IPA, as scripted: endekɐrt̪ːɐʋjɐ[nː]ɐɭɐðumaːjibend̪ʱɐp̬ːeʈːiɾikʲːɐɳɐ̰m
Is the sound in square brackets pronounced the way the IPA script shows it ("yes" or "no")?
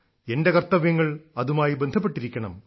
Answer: no